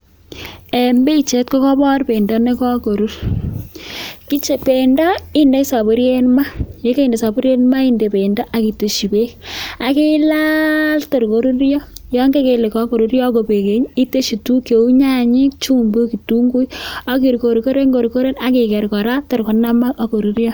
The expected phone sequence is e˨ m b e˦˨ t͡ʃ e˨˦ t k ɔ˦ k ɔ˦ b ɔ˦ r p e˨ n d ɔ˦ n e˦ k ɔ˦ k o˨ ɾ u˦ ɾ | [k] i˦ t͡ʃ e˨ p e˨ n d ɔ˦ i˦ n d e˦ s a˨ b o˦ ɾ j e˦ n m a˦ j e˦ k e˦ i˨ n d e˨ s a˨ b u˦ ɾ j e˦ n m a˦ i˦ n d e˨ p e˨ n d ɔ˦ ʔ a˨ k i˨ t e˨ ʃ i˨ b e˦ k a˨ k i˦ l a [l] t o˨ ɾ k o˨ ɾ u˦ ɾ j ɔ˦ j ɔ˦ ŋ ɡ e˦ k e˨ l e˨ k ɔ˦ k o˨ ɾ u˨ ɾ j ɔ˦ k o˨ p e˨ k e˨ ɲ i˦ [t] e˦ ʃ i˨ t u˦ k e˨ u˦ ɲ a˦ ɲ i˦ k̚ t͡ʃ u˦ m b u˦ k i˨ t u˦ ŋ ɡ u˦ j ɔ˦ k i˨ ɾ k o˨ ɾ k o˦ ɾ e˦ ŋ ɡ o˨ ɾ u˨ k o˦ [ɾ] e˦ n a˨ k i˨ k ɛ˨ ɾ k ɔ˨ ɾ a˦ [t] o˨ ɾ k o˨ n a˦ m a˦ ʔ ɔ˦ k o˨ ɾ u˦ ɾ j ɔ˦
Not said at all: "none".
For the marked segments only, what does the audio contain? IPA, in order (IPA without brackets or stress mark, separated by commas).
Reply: k, l, t, ɾ, t